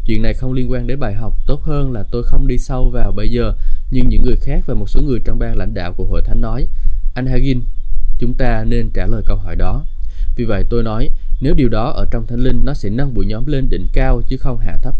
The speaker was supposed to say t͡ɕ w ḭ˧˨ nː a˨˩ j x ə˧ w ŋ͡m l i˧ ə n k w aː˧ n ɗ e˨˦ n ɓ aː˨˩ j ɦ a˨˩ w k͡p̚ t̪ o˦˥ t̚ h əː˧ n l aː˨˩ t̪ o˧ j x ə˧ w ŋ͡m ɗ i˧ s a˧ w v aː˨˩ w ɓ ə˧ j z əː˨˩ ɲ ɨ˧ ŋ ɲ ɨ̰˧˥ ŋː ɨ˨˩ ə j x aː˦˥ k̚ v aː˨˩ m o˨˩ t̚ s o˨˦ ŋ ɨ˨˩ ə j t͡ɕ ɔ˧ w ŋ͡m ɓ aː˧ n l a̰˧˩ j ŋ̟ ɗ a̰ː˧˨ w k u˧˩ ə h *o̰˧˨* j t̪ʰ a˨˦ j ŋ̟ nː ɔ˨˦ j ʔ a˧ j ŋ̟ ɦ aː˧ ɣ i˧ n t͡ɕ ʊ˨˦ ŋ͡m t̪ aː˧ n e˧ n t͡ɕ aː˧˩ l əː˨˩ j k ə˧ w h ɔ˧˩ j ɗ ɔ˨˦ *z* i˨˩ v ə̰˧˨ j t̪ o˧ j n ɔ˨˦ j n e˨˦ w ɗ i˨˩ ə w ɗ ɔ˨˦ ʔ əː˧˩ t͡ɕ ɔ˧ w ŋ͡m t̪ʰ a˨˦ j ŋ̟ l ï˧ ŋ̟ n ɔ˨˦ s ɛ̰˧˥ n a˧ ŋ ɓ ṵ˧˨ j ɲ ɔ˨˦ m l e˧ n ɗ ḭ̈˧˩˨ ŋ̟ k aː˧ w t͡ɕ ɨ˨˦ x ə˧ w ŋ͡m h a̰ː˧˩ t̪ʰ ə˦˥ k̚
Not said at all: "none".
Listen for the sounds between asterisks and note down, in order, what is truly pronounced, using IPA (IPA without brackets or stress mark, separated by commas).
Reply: o̰˧˨, v